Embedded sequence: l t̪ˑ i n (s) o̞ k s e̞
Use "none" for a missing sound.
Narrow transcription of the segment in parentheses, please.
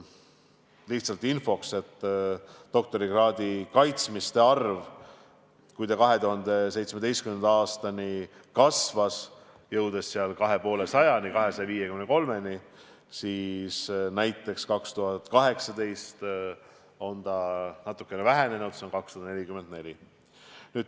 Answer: f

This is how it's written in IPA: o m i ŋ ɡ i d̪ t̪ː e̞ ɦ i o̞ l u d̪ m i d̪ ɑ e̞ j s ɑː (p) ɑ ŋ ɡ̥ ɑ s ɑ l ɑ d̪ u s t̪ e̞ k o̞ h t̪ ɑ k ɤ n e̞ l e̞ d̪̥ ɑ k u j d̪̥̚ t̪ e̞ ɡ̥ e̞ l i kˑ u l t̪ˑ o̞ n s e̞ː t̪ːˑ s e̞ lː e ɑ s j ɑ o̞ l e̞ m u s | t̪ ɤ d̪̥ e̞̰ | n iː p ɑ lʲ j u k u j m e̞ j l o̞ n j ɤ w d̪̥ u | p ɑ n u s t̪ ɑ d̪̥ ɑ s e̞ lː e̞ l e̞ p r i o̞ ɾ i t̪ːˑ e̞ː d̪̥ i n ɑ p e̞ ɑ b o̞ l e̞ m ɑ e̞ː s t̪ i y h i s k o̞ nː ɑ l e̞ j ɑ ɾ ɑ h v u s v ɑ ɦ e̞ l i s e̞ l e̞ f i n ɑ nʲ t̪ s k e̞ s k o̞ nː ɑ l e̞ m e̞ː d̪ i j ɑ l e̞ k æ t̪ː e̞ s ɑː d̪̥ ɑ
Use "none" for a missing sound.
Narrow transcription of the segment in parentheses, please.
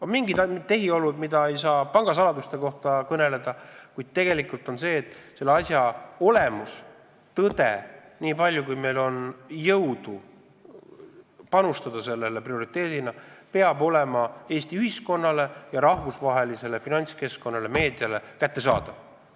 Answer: p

